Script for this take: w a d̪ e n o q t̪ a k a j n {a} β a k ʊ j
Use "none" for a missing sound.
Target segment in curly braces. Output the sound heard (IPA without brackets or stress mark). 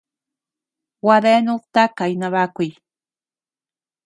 a